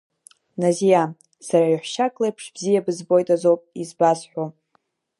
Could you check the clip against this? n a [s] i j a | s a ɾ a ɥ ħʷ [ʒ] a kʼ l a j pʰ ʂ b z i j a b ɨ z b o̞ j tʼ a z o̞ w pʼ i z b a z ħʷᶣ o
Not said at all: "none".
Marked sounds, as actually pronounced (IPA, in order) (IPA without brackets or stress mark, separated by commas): z, ʃ